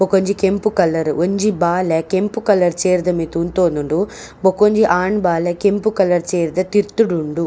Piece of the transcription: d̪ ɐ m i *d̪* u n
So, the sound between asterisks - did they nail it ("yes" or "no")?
no